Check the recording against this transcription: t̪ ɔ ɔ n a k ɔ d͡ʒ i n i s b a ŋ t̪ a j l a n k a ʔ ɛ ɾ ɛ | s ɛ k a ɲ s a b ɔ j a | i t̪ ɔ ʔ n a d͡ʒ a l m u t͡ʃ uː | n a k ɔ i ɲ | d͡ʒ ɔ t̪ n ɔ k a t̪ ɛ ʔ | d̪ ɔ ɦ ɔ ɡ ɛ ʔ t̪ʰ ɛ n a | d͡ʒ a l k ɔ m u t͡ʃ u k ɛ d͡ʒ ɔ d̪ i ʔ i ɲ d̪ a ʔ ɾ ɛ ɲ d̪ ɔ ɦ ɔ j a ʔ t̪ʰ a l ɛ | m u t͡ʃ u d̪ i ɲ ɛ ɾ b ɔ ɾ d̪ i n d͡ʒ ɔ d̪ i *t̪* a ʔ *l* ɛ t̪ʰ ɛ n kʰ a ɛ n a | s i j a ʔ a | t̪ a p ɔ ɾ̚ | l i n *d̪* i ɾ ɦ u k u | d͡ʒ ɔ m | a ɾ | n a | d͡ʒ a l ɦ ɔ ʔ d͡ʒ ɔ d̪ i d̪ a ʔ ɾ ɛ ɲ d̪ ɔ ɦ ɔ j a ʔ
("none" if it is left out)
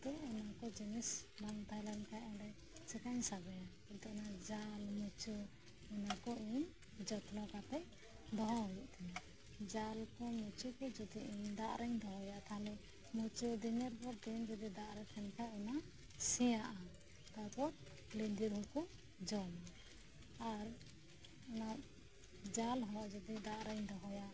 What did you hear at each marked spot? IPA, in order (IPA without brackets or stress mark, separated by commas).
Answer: d̪, ɾ, d̪